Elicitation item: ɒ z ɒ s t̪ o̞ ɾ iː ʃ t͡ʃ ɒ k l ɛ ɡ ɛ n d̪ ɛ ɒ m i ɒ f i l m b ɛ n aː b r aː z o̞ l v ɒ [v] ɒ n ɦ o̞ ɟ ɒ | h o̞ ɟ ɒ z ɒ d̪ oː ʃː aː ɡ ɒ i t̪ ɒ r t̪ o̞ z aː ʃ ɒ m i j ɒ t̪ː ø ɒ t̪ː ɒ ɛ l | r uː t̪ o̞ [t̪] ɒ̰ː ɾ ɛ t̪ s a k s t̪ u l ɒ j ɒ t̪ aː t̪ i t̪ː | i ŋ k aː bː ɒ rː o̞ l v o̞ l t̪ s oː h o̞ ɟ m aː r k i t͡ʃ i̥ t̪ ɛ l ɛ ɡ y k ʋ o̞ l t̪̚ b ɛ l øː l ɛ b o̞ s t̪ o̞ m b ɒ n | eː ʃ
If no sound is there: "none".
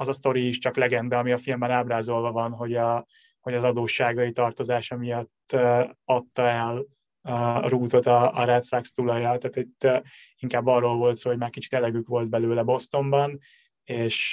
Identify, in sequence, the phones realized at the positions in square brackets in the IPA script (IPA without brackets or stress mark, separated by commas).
v, t̪